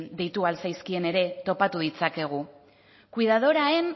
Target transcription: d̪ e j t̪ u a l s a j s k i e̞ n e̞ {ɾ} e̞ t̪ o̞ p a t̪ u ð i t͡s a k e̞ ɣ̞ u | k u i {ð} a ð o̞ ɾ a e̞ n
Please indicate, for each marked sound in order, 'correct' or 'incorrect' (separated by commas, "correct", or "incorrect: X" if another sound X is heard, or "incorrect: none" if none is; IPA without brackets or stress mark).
correct, correct